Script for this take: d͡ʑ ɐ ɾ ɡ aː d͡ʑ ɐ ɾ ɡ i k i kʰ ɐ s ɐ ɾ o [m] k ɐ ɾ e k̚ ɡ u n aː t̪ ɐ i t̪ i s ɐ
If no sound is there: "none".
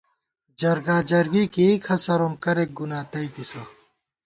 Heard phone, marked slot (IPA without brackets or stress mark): m